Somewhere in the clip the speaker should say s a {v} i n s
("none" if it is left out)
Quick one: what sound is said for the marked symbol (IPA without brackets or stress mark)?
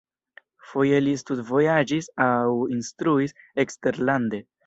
w